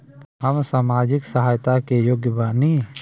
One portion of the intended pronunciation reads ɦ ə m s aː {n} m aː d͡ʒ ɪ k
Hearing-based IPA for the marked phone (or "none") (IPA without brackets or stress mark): none